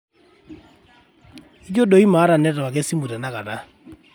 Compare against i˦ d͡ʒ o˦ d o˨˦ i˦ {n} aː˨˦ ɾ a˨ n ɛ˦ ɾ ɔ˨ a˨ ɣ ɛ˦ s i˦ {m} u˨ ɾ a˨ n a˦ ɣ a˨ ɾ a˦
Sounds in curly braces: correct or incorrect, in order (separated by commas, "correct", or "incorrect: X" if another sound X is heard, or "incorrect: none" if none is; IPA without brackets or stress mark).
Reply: incorrect: m, correct